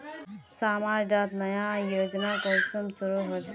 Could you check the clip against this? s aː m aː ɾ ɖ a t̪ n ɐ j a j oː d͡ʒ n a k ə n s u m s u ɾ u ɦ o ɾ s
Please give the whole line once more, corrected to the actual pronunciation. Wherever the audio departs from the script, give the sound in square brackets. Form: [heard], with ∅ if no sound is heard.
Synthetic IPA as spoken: s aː m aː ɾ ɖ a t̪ n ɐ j a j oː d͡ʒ n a k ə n s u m s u ɾ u ɦ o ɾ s